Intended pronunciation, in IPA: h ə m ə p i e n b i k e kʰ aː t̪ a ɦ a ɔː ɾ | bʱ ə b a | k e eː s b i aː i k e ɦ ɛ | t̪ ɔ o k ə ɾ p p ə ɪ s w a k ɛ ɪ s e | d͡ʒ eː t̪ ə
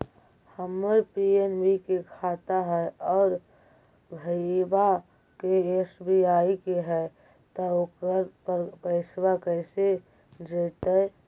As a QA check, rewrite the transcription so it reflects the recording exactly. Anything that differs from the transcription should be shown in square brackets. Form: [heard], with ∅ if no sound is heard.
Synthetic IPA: h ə m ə p i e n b i k e kʰ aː t̪ a ɦ [ɛ] ɔː ɾ | bʱ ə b a | k e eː s b i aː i k e ɦ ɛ | t̪ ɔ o k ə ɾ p p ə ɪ s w a k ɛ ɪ s e | d͡ʒ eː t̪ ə

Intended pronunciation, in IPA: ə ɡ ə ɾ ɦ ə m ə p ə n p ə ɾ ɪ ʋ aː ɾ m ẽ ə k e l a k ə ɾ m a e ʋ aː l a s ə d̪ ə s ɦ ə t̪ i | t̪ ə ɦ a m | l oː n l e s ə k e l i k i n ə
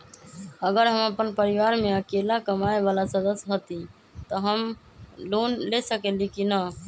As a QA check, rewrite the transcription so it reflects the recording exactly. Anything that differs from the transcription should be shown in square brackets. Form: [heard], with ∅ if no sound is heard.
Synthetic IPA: ə ɡ ə ɾ ɦ ə m ə p ə n p ə ɾ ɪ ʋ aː ɾ m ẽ ə k e l a k ə [∅] m a e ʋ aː l a s ə d̪ ə s ɦ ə t̪ i | t̪ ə ɦ [ə] m | l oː n l e s ə k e l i k i n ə

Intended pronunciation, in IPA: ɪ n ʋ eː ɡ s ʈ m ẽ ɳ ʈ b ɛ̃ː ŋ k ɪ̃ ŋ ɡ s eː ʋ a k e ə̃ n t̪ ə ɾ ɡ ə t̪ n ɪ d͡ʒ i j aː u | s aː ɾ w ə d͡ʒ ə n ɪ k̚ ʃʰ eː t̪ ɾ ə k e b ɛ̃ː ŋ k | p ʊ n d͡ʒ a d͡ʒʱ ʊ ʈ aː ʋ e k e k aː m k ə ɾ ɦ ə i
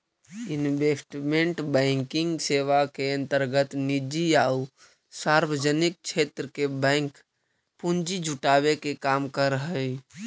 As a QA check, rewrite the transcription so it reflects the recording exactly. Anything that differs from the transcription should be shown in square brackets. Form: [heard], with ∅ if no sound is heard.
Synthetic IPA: ɪ n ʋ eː [∅] s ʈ m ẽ ɳ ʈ b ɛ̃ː ŋ k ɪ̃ ŋ ɡ s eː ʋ a k e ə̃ n t̪ ə ɾ ɡ ə t̪ n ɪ d͡ʒ i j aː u | s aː ɾ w ə d͡ʒ ə n ɪ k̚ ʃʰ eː t̪ ɾ ə k e b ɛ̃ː ŋ k | p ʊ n d͡ʒ [i] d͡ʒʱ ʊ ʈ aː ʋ e k e k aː m k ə ɾ ɦ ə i

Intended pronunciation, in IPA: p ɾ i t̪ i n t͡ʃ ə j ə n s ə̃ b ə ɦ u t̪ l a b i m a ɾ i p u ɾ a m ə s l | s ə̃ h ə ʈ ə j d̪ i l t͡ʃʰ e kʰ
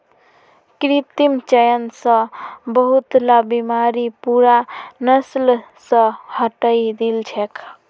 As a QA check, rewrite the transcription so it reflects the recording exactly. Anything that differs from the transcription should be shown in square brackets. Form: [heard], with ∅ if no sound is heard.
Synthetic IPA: [k] ɾ i t̪ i [m] t͡ʃ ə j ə n s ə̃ b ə ɦ u t̪ l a b i m a ɾ i p u ɾ a [n] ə s l | s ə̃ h ə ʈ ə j d̪ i l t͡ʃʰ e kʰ

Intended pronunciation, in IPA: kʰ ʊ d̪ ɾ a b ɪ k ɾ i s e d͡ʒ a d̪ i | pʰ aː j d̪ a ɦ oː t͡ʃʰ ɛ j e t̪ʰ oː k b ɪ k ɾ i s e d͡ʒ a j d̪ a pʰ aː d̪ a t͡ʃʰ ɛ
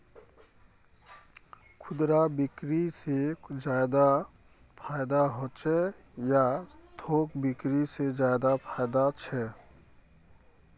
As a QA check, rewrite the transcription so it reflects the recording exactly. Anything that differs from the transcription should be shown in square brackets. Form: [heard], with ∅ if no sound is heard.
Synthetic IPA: kʰ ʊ d̪ ɾ a b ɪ k ɾ i s e d͡ʒ a d̪ [a] | pʰ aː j d̪ a ɦ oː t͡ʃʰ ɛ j [a] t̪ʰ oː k b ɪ k ɾ i s e d͡ʒ a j d̪ a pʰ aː d̪ a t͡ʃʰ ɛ

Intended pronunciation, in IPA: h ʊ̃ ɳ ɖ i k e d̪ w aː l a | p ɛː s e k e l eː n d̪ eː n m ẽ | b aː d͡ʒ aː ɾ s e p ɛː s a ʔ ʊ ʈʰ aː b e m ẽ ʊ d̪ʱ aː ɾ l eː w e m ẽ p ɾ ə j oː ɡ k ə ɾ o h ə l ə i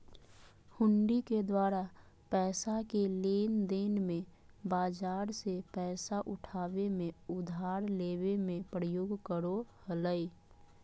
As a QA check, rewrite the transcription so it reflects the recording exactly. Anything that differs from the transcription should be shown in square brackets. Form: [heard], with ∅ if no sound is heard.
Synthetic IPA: h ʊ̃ ɳ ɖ i k e d̪ w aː [ɾ] a | p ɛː s [a] k e l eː n d̪ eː n m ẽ | b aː d͡ʒ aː ɾ s e p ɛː s a ʔ ʊ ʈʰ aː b e m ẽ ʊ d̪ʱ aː ɾ l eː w e m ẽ p ɾ ə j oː ɡ k ə ɾ o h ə l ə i

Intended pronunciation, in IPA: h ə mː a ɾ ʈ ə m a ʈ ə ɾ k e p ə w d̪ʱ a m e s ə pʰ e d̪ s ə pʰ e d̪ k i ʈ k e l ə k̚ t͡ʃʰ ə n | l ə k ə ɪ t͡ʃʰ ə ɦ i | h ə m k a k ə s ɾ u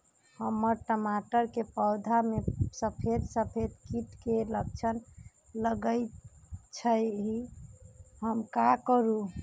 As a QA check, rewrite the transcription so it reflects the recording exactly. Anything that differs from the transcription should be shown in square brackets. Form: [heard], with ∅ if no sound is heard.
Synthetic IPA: h ə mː [ə] ɾ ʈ ə m a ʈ ə ɾ k e p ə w d̪ʱ a m e s ə pʰ e d̪ s ə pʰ e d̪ k i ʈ k e l ə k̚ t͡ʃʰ ə n | l ə [ɡ] ə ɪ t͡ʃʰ ə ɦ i | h ə m k a k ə [∅] ɾ u

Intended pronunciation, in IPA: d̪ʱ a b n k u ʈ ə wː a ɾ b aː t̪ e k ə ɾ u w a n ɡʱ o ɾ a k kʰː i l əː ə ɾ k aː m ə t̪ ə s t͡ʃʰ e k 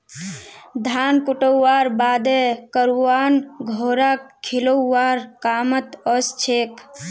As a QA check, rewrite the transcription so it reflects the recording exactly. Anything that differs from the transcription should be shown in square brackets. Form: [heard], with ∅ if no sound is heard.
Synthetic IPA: d̪ʱ a [∅] n k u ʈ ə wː a ɾ b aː [d̪] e k ə ɾ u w a n ɡʱ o ɾ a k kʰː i l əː [a] ɾ k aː m ə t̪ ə s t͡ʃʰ e k

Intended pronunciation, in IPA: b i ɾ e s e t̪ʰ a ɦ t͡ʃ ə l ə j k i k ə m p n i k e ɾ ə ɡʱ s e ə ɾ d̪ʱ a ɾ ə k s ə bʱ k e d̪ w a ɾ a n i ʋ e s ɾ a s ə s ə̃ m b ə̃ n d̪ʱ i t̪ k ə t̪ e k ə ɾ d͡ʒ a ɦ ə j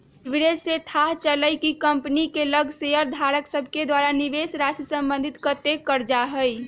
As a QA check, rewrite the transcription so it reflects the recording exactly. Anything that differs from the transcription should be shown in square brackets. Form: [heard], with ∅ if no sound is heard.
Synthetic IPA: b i ɾ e s e t̪ʰ a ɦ t͡ʃ ə l ə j k i k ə m p n i k e [l] ə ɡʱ s e ə ɾ d̪ʱ a ɾ ə k s ə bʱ k e d̪ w a ɾ a n i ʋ e s ɾ a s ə s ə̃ m b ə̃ n d̪ʱ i t̪ k ə t̪ e k ə ɾ d͡ʒ a ɦ ə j

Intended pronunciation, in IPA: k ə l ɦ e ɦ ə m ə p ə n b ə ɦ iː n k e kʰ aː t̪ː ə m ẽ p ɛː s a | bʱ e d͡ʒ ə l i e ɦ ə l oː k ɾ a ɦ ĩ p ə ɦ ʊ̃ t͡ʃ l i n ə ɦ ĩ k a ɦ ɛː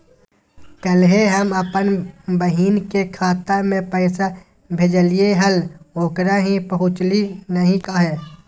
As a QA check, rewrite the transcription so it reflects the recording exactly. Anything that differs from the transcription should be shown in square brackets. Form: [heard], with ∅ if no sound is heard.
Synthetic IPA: k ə l ɦ e ɦ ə m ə p ə n b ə ɦ iː n k e kʰ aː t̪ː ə m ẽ p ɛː s a | bʱ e d͡ʒ ə l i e ɦ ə l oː k ɾ a ɦ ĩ p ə ɦ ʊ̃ t͡ʃ l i n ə ɦ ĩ k a ɦ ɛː

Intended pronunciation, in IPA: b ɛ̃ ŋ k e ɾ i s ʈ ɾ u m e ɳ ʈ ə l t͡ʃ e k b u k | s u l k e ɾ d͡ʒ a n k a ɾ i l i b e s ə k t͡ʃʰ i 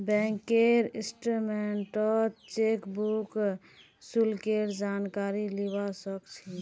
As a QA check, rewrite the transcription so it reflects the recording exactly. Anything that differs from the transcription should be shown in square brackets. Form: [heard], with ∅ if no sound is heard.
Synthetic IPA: b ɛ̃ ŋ k e ɾ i s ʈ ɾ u m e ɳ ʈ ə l t͡ʃ e k b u k | s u l k e ɾ d͡ʒ a n k a ɾ i l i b [a] s ə k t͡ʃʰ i

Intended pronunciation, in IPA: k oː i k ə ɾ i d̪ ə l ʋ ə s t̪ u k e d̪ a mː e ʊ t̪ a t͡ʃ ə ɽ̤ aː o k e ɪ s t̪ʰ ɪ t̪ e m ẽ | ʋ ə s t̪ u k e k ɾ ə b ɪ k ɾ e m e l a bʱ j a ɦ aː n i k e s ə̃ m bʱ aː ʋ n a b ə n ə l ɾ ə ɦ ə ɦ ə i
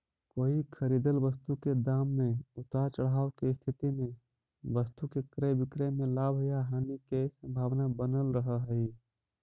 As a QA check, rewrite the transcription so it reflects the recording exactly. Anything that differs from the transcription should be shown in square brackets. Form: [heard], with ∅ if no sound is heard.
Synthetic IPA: k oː i [kʰ] ə ɾ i d̪ ə l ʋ ə s t̪ u k e d̪ a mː e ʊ t̪ a t͡ʃ ə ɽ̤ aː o k e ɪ s t̪ʰ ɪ t̪ [i] m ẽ | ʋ ə s t̪ u k e k ɾ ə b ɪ k ɾ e m e l a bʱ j a ɦ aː n i k e s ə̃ m bʱ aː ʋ n a b ə n ə l ɾ ə ɦ ə ɦ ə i

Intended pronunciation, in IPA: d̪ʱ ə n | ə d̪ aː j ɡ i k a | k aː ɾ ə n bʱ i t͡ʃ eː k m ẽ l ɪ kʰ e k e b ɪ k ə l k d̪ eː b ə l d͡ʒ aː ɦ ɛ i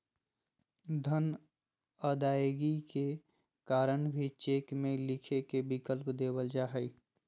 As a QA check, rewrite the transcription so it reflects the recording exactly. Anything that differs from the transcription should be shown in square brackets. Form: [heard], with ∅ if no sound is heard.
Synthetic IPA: d̪ʱ ə n | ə d̪ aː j ɡ i k [e] | k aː ɾ ə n bʱ i t͡ʃ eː k m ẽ l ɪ kʰ e k e b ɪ k ə l [p] d̪ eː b ə l d͡ʒ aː ɦ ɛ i

